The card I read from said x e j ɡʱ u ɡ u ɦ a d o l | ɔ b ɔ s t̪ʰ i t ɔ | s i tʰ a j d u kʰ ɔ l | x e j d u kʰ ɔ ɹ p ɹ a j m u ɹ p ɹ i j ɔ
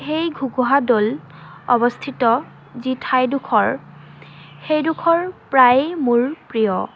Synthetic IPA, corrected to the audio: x e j ɡʱ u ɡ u ɦ a d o l | ɔ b ɔ s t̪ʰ i t ɔ | z i tʰ a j d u kʰ ɔ ɹ | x e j d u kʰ ɔ ɹ p ɹ a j m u ɹ p ɹ i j ɔ

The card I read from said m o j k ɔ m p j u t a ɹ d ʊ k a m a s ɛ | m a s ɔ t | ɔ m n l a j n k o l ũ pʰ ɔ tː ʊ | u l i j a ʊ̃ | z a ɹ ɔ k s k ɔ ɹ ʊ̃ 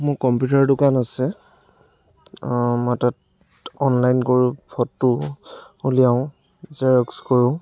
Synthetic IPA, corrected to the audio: m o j k ɔ m p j u t a ɹ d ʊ k a n a s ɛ | m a t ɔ t | ɔ n l a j n k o ɹ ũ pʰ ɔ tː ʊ | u l i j a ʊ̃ | z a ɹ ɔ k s k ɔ ɹ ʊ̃

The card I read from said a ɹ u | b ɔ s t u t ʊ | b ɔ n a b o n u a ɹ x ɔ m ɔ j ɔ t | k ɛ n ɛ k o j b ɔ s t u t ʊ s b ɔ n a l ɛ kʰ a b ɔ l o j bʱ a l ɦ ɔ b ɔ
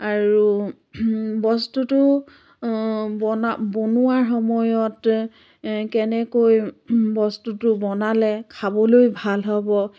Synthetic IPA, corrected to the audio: a ɹ u | b ɔ s t u t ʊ | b ɔ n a b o n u a ɹ x ɔ m ɔ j ɔ t | k ɛ n ɛ k o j b ɔ s t u t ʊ b ɔ n a l ɛ kʰ a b ɔ l o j bʱ a l ɦ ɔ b ɔ

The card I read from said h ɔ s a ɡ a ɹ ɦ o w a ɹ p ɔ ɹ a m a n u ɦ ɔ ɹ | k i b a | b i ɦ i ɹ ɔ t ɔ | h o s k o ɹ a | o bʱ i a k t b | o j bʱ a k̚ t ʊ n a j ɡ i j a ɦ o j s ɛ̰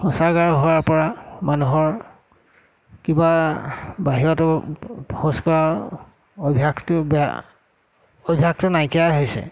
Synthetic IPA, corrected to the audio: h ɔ s a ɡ a ɹ ɦ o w a ɹ p ɔ ɹ a m a n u ɦ ɔ ɹ | k i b a | b a ɦ i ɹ ɔ t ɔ | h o s k ɔ ɹ a | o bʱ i a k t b | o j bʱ a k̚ t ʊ n a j k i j a ɦ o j s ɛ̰

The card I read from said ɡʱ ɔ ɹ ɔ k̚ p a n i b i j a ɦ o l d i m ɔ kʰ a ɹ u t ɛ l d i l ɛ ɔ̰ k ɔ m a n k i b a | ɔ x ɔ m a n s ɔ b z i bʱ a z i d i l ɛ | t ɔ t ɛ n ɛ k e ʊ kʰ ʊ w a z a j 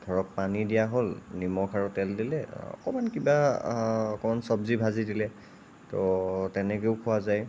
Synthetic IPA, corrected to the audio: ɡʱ ɔ ɹ ɔ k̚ p a n i d i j a ɦ o l n i m ɔ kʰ a ɹ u t ɛ l d i l ɛ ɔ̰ k ɔ m a n k i b a | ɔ k ɔ m a n s ɔ b z i bʱ a z i d i l ɛ | t ɔ t ɛ n ɛ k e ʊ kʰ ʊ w a z a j

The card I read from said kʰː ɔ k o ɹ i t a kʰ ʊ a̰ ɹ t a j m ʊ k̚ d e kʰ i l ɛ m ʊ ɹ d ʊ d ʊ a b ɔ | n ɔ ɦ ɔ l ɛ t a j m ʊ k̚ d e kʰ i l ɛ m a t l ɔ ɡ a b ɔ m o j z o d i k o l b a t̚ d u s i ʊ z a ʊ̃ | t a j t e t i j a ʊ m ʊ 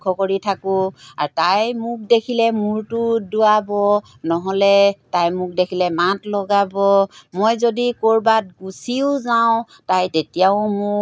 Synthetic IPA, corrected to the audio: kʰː ɔ k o ɹ i tʰ a k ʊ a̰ ɹ t a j m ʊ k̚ d e kʰ i l ɛ m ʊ ɹ t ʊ d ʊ a b ɔ | n ɔ ɦ ɔ l ɛ t a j m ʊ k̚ d e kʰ i l ɛ m a t l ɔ ɡ a b ɔ m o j z o d i k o ɹ b a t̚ ɡ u s i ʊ z a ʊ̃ | t a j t e t i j a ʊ m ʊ

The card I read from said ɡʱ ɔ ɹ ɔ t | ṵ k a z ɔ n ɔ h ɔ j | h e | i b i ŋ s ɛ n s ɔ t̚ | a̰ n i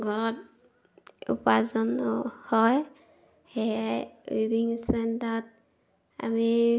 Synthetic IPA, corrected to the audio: ɡʱ ɔ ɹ ɔ t | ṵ p a z ɔ n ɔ h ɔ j | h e | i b i ŋ s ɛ n t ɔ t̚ | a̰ m i

